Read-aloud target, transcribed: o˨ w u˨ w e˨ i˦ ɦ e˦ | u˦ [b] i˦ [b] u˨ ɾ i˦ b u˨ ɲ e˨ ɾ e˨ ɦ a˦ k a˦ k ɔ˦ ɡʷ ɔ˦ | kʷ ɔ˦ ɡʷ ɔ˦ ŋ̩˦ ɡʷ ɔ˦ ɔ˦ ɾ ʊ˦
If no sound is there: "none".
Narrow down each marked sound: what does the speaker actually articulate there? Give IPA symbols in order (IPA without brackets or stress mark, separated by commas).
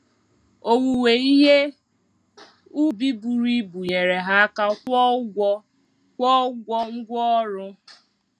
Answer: b, b